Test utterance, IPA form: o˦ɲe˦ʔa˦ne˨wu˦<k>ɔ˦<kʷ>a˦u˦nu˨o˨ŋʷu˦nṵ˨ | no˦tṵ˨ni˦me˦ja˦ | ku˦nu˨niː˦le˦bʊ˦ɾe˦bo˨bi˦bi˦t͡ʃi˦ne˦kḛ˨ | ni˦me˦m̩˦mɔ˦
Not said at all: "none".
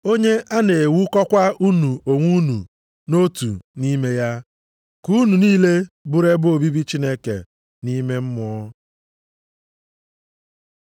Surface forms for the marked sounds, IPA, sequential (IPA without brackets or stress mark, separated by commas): k, kʷ